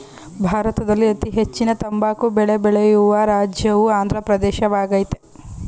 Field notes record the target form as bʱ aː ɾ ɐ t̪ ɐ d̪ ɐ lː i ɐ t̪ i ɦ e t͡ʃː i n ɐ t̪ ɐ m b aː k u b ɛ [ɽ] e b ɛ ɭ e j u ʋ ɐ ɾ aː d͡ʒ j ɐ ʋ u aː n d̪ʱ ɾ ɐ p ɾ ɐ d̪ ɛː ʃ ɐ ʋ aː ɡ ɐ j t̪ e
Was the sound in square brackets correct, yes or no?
no